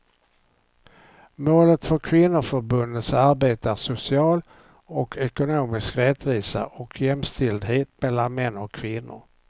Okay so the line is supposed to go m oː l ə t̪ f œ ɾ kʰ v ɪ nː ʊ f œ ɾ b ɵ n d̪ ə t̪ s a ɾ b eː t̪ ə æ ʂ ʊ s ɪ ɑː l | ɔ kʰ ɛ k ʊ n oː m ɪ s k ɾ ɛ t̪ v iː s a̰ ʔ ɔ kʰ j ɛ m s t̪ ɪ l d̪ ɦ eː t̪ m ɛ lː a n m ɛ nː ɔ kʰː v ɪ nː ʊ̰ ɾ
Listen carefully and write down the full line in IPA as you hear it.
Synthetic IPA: m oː l ə t̪ f œ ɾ kʰ v ɪ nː ʊ f œ ɾ b ɵ n d̪ ə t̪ s a ɾ b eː t̪ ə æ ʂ ʊ s ɪ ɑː l | ɔ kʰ ɛ k ʊ n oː m ɪ s k ɾ ɛ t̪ v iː s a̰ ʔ ɔ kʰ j ɛ m s t̪ ɪ l d̪ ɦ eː t̪ m ɛ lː a n m ɛ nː ɔ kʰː v ɪ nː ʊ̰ ɾ